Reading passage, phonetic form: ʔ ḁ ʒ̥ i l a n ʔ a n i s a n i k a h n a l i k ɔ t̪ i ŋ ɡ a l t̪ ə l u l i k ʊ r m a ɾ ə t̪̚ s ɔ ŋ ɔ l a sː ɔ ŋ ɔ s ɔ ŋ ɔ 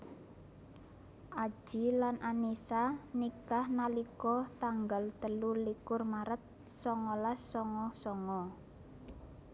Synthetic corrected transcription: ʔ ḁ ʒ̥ i l a n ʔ a n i s a n i k a h n a l i k ɔ t̪ a ŋ ɡ a l t̪ ə l u l i k ʊ r m a ɾ ə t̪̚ s ɔ ŋ ɔ l a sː ɔ ŋ ɔ s ɔ ŋ ɔ

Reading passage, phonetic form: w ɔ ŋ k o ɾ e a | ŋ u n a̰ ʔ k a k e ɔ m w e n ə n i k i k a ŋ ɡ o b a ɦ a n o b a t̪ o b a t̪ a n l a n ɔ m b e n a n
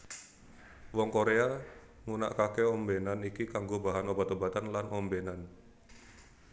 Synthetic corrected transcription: w ɔ ŋ k o ɾ e a | ŋ u n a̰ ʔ k a k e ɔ m b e n a n i k i k a ŋ ɡ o b a ɦ a n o b a t̪ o b a t̪ a n l a n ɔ m b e n a n

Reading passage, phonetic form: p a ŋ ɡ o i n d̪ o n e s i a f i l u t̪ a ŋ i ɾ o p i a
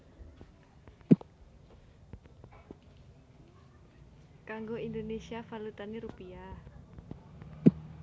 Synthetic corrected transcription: k a ŋ ɡ o i n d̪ o n e s i a f a l u t̪ a n i ɾ u p i a

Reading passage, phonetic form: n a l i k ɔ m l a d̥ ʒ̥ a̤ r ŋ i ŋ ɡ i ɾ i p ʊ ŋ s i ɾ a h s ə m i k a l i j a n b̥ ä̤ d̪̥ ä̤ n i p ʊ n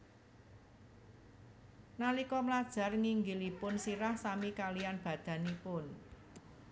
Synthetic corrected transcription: n a l i k ɔ m l a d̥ ʒ̥ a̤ r ŋ i ŋ ɡ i l i p ʊ n s i ɾ a h s a m i k a l i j a n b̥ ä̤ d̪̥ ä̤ n i p ʊ n

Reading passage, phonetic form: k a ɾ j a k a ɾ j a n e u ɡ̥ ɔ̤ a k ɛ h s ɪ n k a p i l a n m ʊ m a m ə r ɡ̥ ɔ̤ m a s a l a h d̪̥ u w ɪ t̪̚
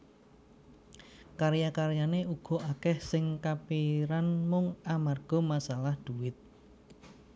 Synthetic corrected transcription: k a ɾ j a k a ɾ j a n e u ɡ̥ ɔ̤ a k ɛ h s ɪ ŋ k a p i ɾ a n m ʊ ŋ a m a r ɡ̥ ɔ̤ m a s a l a h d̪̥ u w ɪ t̪̚

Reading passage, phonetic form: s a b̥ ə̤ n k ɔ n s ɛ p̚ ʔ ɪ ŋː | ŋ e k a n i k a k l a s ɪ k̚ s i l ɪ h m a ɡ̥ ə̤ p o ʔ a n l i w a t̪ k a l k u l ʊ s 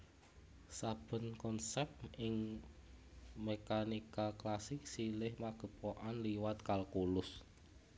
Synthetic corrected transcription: s a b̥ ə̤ n k ɔ n s ɛ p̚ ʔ ɪ ŋ | m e k a n i k a k l a s ɪ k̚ s i l ɪ h m a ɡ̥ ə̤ p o ʔ a n l i w a t̪ k a l k u l ʊ s

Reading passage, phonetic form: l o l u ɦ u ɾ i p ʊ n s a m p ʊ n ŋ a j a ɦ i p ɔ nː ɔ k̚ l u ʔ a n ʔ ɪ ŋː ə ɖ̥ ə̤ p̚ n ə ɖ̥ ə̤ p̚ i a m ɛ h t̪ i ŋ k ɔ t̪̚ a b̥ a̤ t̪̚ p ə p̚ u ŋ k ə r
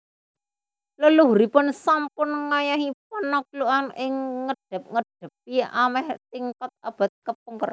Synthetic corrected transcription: l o l u ɦ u ɾ i p ʊ n s a m p ʊ n ŋ a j a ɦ i p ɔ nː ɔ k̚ l u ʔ a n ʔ ɪ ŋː ə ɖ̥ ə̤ p̚ ŋ ə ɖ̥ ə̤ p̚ i a m ɛ h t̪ i ŋ k ɔ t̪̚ a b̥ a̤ t̪̚ k ə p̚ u ŋ k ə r

